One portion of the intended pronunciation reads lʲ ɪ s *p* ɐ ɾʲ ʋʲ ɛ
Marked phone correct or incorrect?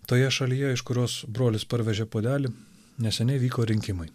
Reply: correct